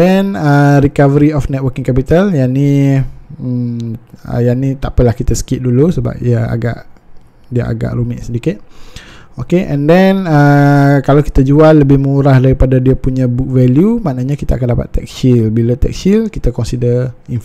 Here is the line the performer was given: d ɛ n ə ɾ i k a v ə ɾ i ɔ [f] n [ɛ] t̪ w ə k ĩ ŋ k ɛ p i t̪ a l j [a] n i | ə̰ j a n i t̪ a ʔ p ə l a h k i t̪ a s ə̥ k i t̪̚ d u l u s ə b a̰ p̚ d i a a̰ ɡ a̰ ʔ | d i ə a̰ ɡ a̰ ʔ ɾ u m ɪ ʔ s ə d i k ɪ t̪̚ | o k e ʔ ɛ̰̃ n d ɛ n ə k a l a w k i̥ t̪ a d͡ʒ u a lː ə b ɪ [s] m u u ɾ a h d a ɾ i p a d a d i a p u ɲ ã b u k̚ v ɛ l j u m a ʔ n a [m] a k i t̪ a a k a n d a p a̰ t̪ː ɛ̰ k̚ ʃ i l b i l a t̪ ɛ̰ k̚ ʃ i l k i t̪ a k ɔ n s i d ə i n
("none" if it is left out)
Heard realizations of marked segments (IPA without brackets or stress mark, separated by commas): f, ɛ, a, h, ɲ